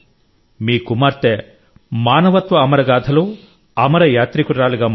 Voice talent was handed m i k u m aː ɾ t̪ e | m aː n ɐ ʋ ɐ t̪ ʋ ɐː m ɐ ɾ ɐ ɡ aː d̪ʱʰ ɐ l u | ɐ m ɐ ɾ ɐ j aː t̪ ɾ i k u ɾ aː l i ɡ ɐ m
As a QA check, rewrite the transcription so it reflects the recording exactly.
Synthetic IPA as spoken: m iː k u m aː ɾ t̪ e | m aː n ɐ ʋ ɐ t̪ ʋ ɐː m ɐ ɾ ɐ ɡ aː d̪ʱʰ ɐ l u | ɐ m ɐ ɾ ɐ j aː t̪ ɾ i k u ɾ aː l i ɡ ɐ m